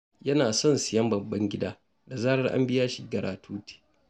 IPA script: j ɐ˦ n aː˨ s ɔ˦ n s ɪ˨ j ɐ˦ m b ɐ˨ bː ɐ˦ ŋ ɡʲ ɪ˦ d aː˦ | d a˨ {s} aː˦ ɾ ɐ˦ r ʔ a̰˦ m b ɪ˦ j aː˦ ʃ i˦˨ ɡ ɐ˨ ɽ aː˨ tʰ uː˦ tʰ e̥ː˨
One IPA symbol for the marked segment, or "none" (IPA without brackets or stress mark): z